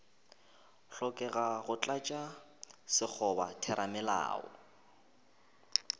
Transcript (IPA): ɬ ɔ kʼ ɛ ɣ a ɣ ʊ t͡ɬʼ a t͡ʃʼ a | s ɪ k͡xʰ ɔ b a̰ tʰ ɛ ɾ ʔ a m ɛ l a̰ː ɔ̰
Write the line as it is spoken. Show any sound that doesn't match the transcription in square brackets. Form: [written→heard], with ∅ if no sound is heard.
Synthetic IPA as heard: ɬ ɔ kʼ ɛ ɣ a ɣ ʊ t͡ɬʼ a t͡ʃʼ a | s ɪ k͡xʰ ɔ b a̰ tʰ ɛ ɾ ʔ a m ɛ l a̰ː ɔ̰